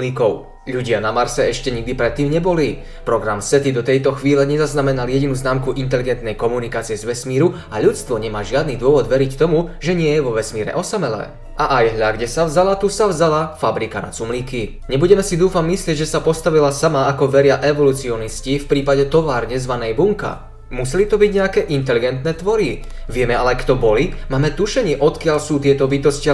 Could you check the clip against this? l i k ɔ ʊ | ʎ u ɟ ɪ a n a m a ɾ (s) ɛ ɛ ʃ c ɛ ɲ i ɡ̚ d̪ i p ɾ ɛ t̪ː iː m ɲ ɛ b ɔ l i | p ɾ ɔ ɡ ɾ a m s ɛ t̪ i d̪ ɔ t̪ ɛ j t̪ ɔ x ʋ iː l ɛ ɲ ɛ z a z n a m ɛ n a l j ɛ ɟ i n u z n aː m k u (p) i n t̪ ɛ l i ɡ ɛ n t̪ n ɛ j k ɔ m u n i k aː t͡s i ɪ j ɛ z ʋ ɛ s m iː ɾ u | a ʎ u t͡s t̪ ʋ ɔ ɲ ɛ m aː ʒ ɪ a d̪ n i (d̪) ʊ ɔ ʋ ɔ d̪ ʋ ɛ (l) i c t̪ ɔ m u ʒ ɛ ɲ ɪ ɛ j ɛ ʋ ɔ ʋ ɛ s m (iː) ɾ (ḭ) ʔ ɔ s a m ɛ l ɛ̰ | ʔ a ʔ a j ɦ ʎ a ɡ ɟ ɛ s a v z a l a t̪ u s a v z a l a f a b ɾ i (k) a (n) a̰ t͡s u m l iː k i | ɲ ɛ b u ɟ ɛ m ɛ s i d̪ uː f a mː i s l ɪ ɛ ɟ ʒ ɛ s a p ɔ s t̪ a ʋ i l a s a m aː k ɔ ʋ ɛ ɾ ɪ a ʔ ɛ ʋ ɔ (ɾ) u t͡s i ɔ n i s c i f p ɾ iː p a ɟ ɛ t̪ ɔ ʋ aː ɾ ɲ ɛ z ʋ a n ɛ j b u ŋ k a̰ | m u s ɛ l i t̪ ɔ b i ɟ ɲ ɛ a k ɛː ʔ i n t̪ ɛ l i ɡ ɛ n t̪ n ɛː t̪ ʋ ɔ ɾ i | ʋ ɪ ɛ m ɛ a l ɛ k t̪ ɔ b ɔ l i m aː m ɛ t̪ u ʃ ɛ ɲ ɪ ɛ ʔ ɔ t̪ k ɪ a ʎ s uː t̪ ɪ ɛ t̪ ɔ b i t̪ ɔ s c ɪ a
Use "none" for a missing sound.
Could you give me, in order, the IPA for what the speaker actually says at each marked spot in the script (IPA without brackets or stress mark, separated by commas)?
s, ʔ, d̪, ɾ, iː, ɛ̰, k, n, l